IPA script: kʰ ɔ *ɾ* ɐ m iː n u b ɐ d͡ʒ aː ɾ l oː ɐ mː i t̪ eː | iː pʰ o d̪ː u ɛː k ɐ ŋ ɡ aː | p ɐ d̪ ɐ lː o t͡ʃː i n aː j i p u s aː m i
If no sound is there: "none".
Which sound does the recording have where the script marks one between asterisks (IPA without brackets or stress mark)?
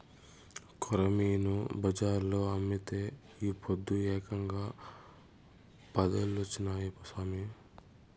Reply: ɾ